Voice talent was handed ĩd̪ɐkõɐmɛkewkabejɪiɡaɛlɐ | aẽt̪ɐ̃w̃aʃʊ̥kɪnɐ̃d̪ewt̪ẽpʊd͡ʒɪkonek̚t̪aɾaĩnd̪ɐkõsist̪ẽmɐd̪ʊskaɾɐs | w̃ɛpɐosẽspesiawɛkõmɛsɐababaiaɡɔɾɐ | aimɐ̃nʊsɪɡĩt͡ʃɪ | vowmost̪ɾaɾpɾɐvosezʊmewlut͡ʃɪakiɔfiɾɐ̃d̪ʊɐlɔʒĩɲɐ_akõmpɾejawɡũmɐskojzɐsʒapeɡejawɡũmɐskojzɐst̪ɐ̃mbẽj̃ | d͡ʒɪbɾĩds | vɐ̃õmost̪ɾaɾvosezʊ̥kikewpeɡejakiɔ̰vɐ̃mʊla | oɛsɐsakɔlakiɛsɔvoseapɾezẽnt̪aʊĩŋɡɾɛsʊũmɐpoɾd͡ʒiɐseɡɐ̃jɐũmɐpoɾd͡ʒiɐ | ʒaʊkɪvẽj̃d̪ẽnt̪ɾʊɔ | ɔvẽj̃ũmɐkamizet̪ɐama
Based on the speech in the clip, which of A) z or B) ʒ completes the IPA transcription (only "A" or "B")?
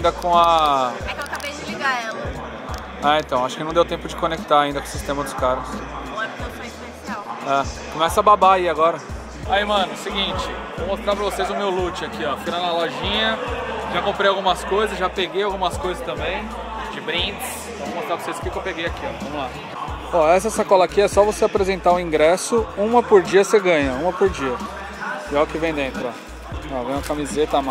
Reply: B